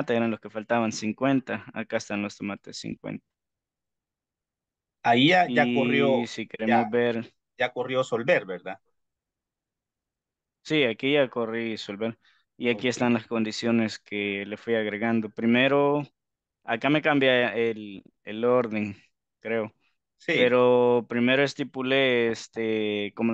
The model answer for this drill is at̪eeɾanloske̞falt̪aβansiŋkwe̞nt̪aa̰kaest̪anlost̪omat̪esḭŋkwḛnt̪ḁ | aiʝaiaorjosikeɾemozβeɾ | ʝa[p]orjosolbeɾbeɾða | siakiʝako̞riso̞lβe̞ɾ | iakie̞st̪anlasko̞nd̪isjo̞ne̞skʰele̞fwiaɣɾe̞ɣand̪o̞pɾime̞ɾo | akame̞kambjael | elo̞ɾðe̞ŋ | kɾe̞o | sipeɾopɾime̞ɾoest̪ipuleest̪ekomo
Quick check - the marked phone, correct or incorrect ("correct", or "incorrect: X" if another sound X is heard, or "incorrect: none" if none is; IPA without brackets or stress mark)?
incorrect: k